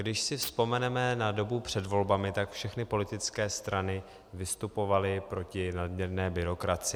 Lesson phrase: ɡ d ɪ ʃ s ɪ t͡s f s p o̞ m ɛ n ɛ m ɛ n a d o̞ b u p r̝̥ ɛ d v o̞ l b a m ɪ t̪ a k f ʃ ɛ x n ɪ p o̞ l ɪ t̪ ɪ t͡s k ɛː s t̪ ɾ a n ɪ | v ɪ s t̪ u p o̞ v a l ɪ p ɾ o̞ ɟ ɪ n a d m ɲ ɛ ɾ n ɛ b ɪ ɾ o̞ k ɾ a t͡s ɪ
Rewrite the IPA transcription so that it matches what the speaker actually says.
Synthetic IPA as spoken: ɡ d ɪ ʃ s ɪ f s p o̞ m ɛ n ɛ m ɛ n a d o̞ b u p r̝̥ ɛ d v o̞ l b a m ɪ t̪ a k f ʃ ɛ x n ɪ p o̞ l ɪ t̪ ɪ t͡s k ɛː s t̪ ɾ a n ɪ | v ɪ s t̪ u p o̞ v a l ɪ p ɾ o̞ c ɪ n a d m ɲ ɛ ɾ n ɛː b ɪ ɾ o̞ k ɾ a t͡s ɪ